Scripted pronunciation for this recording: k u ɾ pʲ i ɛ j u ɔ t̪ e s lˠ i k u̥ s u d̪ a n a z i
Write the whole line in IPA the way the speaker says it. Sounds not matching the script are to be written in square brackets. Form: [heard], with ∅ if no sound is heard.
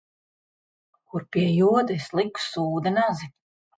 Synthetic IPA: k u ɾ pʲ i ɛ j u ɔ [d̪] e s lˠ i k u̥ s [uː] d̪ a n a z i

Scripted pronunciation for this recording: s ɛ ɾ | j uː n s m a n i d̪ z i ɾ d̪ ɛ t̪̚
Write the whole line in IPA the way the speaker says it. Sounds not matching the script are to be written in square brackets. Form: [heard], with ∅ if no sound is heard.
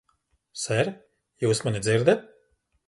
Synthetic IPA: s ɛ ɾ | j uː [∅] s m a n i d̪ z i ɾ d̪ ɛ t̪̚

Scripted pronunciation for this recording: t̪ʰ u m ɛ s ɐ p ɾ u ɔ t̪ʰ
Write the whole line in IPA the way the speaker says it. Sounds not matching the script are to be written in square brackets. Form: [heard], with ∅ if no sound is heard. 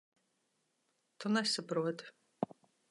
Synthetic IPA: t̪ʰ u [n] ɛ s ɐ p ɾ u ɔ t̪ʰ

